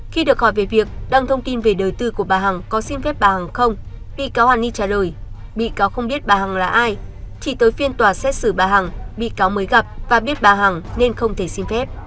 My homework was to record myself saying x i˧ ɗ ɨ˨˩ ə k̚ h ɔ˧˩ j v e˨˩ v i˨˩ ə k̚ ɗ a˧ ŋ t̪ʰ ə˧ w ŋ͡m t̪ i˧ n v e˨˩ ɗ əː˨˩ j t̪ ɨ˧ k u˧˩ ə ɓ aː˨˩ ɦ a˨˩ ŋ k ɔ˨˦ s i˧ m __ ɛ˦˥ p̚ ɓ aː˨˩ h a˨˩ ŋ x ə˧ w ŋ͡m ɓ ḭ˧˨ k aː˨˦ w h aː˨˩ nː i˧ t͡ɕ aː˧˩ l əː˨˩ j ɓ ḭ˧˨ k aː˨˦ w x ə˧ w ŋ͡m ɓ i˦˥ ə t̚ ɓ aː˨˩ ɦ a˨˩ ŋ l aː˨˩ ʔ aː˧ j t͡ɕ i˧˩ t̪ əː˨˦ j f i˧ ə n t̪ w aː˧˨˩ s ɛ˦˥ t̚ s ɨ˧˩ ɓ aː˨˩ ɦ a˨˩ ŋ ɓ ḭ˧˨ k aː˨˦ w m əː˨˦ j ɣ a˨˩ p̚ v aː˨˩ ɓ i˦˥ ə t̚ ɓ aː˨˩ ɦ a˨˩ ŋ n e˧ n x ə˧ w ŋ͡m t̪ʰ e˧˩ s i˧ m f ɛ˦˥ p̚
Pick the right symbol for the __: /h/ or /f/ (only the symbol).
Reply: f